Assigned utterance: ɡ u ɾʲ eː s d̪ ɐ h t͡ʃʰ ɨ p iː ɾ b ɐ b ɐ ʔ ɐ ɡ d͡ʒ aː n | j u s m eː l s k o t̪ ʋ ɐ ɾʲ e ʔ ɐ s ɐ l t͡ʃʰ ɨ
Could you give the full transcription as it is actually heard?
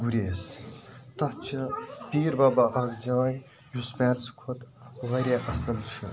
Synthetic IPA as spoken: ɡ u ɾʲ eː s t̪ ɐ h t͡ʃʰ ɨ p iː ɾ b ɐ b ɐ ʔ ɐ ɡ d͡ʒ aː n | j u s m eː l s kʰ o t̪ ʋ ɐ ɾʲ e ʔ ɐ s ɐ l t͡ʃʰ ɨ